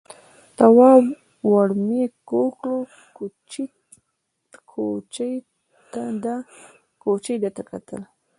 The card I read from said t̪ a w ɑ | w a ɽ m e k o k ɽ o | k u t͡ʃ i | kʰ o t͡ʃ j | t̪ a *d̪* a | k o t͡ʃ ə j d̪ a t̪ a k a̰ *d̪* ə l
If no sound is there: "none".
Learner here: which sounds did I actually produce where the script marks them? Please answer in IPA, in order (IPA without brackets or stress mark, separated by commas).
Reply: d̪, t̪